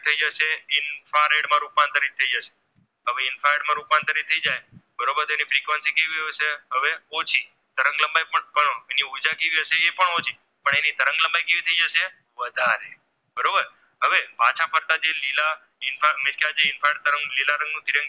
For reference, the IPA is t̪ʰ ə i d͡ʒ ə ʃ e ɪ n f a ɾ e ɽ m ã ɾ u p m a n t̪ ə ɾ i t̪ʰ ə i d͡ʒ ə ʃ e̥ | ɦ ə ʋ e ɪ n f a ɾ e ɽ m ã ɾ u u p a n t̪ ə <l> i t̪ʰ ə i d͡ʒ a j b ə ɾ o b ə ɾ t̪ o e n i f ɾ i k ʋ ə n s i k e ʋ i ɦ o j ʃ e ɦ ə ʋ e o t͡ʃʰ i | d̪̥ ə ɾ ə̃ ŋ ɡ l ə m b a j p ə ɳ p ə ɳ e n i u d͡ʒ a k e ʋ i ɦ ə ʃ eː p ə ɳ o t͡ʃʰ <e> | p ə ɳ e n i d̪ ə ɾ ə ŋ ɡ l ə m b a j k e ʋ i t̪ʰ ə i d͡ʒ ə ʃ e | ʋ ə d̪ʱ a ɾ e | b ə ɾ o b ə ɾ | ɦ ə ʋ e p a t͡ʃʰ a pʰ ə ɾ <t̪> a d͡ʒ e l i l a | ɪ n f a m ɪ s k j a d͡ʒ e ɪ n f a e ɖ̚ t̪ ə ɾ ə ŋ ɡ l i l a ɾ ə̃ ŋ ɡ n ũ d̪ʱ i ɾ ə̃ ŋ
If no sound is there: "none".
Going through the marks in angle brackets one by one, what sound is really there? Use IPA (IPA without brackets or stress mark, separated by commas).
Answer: ɾ, i, t̪